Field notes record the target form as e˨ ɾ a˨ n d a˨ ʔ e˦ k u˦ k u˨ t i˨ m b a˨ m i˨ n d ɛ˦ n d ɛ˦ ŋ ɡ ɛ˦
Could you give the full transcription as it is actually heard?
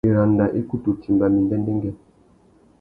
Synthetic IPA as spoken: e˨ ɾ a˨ n d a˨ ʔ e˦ k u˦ t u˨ t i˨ m b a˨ m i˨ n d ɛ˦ n d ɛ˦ ŋ ɡ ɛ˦